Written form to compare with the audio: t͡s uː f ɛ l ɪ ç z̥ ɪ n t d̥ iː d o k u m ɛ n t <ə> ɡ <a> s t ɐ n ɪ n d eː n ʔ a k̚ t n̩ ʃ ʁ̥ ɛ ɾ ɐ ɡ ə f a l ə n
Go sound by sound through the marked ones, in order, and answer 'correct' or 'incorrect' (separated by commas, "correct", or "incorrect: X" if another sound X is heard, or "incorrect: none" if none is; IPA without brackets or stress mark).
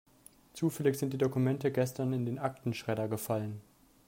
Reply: correct, incorrect: ɛ